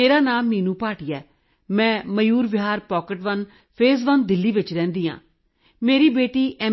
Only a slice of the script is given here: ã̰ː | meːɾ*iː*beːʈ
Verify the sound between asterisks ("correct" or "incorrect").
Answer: correct